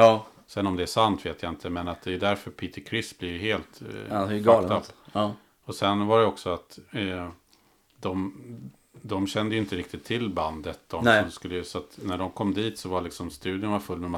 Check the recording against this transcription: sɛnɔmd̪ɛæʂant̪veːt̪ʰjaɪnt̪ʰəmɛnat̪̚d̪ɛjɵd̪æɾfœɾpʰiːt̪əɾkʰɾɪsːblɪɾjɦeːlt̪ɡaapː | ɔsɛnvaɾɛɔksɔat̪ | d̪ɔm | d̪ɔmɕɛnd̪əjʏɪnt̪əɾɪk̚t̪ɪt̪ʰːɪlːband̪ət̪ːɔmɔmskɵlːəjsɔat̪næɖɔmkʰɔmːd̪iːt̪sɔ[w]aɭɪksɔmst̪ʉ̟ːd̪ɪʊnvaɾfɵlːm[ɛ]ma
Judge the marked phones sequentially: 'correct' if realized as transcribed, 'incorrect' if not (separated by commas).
incorrect, correct